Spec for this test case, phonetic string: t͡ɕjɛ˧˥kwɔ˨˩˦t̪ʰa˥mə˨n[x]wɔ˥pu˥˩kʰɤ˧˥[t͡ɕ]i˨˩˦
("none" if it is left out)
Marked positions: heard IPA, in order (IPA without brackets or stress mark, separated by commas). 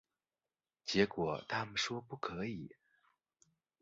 ʂ, none